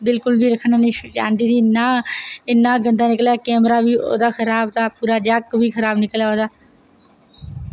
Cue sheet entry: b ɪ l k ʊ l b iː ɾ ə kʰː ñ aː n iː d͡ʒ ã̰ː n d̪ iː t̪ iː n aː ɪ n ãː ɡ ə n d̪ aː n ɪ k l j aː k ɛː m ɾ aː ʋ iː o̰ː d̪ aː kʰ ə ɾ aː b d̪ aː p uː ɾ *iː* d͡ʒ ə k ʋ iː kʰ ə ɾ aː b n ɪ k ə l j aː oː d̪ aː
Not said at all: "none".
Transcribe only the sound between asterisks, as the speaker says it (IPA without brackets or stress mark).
aː